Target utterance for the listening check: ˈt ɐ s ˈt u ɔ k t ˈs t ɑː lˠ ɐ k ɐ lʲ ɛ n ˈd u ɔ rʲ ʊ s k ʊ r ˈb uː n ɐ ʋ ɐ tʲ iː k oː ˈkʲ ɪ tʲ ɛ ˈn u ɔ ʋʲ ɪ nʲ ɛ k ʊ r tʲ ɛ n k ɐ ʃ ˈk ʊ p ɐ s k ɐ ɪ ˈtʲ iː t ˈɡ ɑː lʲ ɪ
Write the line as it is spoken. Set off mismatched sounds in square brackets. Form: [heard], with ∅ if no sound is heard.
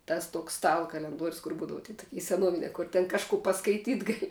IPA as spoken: ˈt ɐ s ˈt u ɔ k [s] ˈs t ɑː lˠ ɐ k ɐ lʲ ɛ n ˈd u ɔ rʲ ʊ s k ʊ r ˈb uː [d] ɐ ʋ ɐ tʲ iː [t] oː ˈkʲ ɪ [sʲ] ɛ ˈn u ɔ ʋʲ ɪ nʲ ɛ k ʊ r tʲ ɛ n k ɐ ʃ ˈk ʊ p ɐ s k ɐ ɪ ˈtʲ iː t ˈɡ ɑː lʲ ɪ